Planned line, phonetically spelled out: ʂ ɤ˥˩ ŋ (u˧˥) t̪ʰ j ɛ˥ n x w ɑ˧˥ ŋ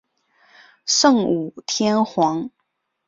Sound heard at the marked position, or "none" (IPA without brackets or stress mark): u˨˩